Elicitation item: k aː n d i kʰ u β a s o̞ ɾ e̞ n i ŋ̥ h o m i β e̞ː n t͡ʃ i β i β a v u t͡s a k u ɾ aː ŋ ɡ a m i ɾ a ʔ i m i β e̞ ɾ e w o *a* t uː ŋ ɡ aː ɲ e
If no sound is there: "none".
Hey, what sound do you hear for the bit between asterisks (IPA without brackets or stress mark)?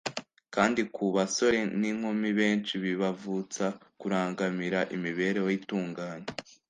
i